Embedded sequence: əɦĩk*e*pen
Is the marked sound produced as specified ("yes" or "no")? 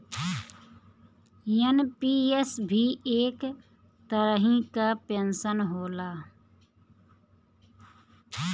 no